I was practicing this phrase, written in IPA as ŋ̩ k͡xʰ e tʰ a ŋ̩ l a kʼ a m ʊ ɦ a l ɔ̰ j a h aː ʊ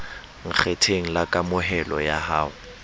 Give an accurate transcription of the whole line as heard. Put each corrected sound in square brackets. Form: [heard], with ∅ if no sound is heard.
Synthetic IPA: ŋ̩ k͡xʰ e tʰ [e] ŋ̩ l a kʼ a m ʊ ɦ [ɛ] l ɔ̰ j a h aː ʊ